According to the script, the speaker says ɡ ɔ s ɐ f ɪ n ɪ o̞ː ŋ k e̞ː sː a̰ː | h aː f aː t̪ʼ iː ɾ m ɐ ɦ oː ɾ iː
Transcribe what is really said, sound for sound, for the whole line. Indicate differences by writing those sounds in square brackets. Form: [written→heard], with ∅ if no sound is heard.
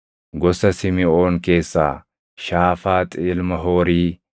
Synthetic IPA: ɡ ɔ s ɐ [f→s] ɪ [n→m] ɪ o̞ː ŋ k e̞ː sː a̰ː | [h→ʃ] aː f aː t̪ʼ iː [ɾ→l] m ɐ ɦ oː ɾ iː